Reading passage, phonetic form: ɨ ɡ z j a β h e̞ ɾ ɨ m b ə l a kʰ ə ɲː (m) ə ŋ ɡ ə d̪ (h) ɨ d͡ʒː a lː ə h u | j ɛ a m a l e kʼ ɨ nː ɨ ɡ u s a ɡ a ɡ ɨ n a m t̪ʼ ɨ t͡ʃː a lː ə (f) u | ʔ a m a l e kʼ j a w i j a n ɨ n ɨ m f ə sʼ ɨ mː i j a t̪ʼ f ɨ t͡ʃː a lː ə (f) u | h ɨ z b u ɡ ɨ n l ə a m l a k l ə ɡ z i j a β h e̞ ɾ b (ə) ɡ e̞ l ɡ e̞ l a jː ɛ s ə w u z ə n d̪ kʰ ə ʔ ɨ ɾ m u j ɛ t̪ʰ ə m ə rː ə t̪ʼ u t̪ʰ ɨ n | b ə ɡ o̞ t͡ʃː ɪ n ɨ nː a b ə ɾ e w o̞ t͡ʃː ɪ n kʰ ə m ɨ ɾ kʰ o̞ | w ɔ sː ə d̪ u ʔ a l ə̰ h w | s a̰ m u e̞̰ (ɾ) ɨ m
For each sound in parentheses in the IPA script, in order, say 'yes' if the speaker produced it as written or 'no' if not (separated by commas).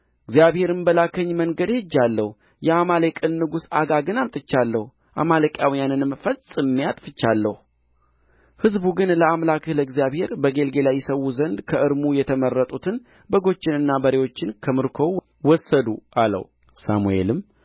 yes, yes, no, no, yes, no